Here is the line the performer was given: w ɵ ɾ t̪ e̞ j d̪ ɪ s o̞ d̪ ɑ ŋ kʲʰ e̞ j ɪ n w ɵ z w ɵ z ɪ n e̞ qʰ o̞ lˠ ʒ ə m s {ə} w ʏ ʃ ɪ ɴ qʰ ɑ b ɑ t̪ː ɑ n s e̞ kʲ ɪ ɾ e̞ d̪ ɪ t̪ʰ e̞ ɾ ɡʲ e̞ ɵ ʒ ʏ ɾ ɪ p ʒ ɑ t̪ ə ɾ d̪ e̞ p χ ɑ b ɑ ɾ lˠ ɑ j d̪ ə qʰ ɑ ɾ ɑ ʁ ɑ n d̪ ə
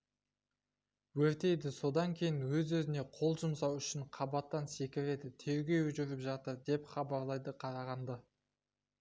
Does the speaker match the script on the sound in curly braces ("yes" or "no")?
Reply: no